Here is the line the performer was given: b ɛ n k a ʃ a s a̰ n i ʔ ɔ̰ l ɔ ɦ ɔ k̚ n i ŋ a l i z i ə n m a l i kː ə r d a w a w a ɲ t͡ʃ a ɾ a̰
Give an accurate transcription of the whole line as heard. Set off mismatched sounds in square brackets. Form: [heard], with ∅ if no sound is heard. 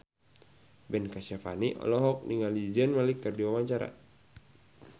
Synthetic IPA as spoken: b ɛ n k a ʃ a [f] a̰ n i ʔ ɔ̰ l ɔ ɦ ɔ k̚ n i ŋ a l i z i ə n m a l i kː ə r d [i] w a w a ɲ t͡ʃ a ɾ a̰